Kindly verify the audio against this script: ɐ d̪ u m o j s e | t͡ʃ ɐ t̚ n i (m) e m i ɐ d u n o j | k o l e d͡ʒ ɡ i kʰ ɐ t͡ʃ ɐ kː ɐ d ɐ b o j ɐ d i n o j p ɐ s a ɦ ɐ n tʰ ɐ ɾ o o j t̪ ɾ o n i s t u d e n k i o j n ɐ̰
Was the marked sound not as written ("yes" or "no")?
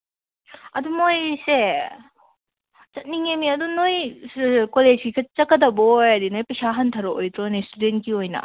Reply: yes